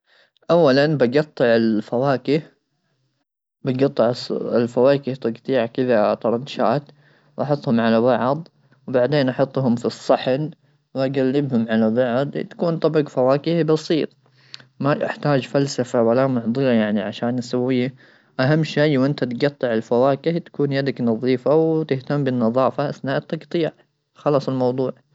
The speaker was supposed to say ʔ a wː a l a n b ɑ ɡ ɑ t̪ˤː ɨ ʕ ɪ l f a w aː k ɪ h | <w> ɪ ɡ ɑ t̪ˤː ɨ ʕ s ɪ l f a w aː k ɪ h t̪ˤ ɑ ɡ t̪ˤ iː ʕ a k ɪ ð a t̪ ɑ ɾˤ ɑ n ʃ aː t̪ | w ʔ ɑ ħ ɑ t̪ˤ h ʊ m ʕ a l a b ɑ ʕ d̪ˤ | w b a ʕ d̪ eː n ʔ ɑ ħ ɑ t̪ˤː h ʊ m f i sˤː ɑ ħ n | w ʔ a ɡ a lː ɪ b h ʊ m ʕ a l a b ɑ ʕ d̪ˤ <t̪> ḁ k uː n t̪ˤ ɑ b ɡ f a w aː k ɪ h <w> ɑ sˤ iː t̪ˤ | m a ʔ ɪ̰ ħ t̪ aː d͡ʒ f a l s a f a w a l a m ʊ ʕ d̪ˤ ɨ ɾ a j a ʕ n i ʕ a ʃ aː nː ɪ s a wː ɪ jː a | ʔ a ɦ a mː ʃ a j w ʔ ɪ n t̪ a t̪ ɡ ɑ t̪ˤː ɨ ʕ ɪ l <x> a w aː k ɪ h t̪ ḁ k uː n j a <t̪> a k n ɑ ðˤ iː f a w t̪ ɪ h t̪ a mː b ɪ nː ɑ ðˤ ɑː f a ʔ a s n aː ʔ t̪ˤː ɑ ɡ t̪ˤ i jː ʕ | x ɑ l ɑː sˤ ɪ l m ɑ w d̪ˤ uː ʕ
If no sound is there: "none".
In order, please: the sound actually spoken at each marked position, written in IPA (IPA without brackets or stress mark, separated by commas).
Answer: b, t̪, b, f, d̪